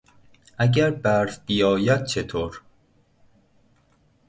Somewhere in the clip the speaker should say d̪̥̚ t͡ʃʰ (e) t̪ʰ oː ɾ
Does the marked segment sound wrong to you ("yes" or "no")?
no